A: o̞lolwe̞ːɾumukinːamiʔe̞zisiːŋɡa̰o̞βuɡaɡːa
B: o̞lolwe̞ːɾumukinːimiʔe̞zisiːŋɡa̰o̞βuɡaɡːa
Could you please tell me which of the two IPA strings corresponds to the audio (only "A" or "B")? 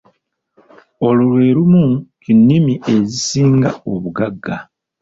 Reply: B